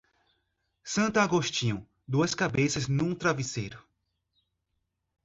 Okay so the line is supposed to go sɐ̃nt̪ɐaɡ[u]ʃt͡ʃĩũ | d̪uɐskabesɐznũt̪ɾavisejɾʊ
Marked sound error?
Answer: yes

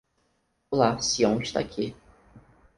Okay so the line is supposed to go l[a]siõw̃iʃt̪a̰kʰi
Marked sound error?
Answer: no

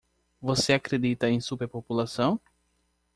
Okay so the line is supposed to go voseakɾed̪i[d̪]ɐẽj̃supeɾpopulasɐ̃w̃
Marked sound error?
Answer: yes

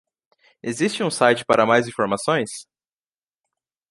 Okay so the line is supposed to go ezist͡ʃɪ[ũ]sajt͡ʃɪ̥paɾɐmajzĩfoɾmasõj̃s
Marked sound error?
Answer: no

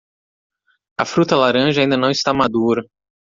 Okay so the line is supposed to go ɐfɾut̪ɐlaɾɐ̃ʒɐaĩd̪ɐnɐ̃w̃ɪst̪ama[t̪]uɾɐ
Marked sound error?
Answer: yes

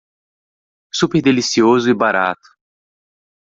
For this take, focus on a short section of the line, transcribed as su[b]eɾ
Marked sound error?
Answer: yes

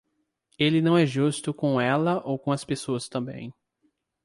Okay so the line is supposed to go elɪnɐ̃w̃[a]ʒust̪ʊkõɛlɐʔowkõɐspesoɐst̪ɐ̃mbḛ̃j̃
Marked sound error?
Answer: yes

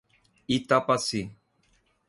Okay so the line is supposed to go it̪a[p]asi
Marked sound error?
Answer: no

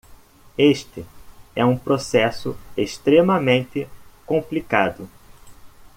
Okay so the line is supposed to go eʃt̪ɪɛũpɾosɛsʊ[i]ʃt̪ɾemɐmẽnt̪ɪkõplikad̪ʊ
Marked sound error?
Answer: yes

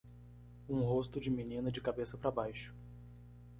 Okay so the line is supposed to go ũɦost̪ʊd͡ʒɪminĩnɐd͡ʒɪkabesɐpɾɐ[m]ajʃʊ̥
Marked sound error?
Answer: yes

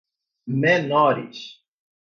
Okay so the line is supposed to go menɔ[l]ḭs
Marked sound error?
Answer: yes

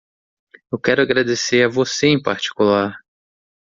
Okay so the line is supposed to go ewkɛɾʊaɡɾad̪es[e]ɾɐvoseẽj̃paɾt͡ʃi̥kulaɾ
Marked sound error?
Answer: no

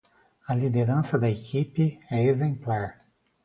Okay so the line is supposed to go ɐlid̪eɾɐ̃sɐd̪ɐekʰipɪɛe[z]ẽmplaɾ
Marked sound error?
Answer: no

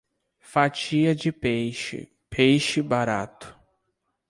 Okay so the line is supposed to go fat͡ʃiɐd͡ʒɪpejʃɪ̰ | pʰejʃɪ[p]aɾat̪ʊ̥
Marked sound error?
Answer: yes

